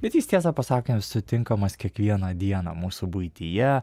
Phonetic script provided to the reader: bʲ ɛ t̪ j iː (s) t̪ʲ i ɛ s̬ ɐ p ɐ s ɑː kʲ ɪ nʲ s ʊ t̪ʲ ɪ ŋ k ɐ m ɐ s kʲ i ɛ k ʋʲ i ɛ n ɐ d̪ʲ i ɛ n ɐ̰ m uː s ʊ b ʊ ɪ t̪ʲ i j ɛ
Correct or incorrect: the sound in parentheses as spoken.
correct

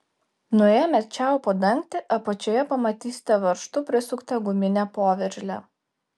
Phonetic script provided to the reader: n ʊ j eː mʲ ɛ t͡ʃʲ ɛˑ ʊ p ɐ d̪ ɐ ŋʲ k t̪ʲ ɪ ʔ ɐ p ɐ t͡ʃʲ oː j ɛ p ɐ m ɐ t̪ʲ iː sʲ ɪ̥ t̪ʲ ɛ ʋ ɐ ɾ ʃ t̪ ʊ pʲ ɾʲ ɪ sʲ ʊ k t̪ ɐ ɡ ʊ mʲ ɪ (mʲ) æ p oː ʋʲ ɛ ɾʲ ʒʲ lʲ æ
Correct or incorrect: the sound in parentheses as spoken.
incorrect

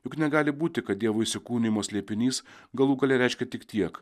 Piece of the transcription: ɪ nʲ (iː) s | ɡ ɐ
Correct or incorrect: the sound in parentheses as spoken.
correct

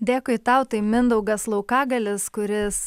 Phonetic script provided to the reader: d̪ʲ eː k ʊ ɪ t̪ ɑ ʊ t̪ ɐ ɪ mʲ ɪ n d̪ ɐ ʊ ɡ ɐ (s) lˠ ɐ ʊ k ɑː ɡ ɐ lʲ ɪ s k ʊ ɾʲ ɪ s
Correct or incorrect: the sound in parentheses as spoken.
correct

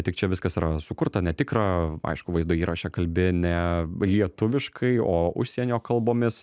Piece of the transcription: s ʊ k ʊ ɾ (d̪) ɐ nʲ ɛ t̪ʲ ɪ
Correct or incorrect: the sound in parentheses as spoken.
incorrect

